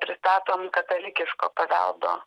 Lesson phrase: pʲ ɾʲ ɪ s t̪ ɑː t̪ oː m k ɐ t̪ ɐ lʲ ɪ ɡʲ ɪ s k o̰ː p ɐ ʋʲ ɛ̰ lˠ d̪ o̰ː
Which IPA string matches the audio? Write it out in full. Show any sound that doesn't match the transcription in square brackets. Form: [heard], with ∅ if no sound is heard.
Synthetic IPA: pʲ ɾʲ ɪ s t̪ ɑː t̪ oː m k ɐ t̪ ɐ lʲ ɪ [kʲ] ɪ [ʃ] k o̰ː p ɐ ʋʲ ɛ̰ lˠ d̪ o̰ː